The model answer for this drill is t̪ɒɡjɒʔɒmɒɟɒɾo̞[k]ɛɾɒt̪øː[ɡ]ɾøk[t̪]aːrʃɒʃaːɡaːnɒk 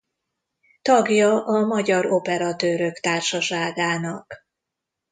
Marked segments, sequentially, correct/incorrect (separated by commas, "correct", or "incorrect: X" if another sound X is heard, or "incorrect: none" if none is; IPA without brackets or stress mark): incorrect: p, incorrect: none, correct